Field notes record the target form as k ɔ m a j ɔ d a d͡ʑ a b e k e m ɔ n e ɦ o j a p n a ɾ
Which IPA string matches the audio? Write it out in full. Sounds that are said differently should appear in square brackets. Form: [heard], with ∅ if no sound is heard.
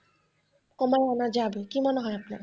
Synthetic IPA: k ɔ m a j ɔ [n] a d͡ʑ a b e k [i] m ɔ n e ɦ [ɔ] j a p n a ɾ